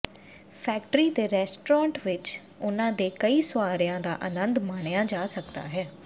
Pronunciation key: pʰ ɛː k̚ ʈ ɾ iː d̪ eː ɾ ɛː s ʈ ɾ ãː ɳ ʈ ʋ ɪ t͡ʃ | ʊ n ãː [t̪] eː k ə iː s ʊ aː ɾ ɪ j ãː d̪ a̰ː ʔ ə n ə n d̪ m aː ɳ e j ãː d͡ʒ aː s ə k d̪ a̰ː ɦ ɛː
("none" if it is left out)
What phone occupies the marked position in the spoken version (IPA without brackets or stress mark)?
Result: d̪